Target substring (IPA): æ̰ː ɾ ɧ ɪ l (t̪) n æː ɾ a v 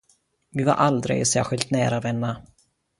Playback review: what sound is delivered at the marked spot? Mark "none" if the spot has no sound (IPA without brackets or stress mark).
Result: t̪